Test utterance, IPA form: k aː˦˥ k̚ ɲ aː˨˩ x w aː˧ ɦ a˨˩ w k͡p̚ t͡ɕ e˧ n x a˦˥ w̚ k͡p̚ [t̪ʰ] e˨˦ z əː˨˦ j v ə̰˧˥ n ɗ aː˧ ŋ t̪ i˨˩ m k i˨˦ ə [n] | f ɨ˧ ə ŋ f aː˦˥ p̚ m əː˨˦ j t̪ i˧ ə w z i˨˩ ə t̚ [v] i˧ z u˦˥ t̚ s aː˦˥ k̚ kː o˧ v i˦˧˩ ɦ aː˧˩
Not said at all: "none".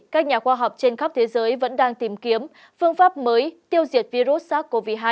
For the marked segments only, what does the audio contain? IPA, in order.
t̪ʰ, m, v

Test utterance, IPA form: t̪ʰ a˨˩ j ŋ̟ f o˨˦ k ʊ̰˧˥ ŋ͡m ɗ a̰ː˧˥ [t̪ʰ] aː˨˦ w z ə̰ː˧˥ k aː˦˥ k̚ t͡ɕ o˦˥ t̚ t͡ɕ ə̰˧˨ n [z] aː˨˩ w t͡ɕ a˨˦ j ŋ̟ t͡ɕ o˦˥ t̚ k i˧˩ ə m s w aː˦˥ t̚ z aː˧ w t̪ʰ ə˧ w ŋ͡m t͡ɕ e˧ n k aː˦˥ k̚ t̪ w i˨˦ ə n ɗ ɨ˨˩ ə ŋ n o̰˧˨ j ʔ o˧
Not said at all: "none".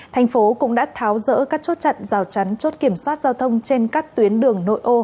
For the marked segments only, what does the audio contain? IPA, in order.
t̪ʰ, z

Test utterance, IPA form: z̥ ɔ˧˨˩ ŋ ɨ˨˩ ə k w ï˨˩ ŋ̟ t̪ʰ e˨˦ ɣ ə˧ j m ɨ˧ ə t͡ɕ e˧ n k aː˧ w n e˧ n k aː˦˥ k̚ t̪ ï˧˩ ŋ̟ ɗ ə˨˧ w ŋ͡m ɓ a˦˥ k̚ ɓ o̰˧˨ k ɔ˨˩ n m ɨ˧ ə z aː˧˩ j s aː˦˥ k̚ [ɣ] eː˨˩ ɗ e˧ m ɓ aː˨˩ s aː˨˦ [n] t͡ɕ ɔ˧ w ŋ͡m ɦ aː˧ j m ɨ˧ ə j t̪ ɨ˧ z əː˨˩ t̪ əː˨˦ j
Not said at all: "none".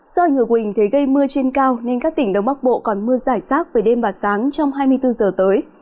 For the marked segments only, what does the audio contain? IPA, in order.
v, ŋ

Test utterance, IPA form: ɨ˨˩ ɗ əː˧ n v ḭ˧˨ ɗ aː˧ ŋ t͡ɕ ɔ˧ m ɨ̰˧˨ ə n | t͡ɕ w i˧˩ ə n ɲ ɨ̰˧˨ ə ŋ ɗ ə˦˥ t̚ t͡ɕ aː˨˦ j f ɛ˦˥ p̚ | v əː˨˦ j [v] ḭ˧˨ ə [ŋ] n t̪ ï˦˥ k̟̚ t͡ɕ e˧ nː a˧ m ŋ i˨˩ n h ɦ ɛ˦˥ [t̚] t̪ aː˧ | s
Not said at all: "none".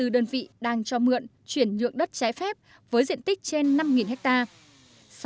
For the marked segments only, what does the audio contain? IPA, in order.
z, none, k̚

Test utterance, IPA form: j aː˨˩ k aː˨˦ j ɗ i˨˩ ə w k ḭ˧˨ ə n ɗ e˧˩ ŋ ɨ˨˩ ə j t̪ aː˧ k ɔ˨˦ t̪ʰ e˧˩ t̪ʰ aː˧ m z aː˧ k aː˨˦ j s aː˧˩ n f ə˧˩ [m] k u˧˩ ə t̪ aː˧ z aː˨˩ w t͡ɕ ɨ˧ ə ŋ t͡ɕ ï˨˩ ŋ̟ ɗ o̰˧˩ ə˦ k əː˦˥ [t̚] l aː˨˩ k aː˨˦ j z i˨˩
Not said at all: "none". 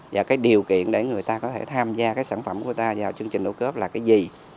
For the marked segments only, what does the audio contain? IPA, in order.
m, p̚

